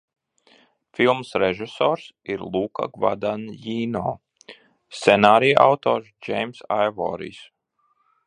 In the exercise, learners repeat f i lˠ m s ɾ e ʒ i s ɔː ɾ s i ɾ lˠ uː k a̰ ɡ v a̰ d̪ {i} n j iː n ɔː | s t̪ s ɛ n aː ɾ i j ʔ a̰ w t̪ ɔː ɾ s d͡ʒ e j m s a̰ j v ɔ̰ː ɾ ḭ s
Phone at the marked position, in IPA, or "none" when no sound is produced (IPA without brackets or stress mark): a